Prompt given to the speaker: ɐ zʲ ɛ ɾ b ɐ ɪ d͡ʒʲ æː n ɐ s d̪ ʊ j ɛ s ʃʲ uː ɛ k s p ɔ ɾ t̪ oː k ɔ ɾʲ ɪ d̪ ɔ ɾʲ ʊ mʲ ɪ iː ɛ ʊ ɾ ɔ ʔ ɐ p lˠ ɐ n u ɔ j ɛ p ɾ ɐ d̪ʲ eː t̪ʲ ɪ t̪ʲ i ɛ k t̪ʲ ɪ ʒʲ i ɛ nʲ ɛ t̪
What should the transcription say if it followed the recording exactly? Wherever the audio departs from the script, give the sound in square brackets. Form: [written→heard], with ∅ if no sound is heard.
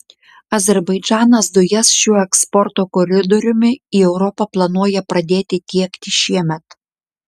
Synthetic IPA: ɐ zʲ ɛ ɾ b ɐ ɪ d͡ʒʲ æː n ɐ s d̪ ʊ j ɛ s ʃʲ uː ɛ k s p ɔ ɾ t̪ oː k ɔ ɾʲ ɪ d̪ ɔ ɾʲ ʊ mʲ ɪ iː ɛ ʊ ɾ ɔ [ʔ→p] ɐ p lˠ ɐ n u ɔ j ɛ p ɾ ɐ d̪ʲ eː t̪ʲ ɪ t̪ʲ i ɛ k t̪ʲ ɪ [ʒʲ→ʃʲ] i ɛ [nʲ→mʲ] ɛ t̪